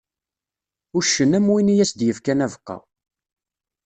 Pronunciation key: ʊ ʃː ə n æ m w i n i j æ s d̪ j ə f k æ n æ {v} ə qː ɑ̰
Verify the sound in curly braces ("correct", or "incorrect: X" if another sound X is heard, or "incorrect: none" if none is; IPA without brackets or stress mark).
correct